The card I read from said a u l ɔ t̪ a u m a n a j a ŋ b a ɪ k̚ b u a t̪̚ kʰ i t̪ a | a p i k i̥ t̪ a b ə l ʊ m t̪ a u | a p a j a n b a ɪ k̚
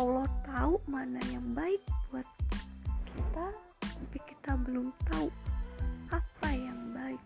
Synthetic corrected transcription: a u l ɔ t̪ a u m a n a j a ŋ b a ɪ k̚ b u a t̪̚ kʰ i t̪ a | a p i k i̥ t̪ a b ə l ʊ m t̪ a u | a p a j a ŋ b a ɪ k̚